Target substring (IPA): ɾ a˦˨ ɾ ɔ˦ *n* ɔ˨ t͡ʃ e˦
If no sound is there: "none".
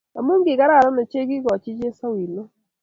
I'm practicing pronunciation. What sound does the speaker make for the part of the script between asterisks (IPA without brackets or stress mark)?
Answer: n